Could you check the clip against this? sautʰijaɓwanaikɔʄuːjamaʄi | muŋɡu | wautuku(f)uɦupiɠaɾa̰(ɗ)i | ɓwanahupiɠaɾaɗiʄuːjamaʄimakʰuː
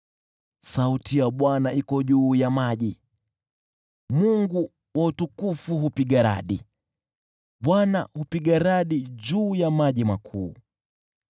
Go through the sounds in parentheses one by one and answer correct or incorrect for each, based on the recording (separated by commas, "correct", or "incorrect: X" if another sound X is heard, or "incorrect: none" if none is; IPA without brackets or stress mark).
correct, correct